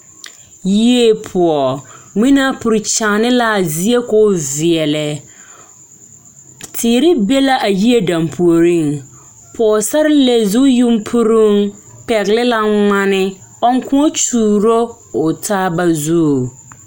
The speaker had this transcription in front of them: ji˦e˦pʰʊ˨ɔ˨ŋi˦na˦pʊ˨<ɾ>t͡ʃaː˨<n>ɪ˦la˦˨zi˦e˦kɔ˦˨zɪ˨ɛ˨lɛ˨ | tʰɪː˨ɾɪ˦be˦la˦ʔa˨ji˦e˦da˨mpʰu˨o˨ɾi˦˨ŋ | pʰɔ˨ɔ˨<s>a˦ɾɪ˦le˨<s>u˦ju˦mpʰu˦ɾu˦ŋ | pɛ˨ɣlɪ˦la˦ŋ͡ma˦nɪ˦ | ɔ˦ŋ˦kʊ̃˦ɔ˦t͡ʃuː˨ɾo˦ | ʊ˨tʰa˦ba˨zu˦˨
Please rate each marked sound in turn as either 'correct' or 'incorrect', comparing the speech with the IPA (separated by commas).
correct, correct, correct, incorrect